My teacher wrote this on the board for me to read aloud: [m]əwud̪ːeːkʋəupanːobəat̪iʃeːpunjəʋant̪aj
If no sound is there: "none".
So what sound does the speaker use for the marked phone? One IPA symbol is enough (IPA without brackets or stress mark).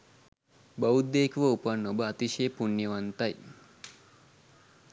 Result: b